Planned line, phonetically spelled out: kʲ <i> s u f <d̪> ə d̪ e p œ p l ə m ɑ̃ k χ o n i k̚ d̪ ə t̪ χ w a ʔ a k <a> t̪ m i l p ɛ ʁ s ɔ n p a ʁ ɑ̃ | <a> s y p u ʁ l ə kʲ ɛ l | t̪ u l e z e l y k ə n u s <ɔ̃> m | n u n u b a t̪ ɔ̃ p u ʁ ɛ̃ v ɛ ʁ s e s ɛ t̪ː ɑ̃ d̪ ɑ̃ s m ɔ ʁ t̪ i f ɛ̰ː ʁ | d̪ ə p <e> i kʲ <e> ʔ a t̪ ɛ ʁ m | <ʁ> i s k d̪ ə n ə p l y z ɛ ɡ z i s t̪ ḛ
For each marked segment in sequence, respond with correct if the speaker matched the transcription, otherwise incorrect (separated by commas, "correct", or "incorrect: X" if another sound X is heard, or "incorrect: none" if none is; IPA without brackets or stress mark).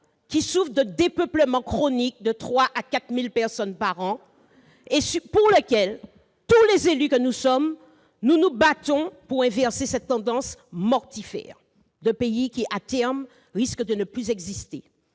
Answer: correct, correct, correct, incorrect: e, incorrect: ɔ, correct, incorrect: i, correct